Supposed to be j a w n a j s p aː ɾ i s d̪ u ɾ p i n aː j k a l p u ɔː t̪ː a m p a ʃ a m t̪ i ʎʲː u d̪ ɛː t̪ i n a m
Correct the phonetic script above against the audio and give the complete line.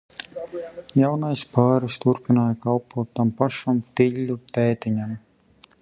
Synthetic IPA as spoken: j a w n a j s p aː ɾ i s t̪ u ɾ p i n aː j k a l p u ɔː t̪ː a m p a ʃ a m t̪ i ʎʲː u t̪ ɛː t̪ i ɲ a m